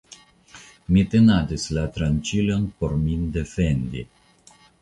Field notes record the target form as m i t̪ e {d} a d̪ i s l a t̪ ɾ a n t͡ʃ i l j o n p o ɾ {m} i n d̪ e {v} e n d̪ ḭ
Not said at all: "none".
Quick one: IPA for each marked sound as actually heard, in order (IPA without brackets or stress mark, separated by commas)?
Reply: n, m, f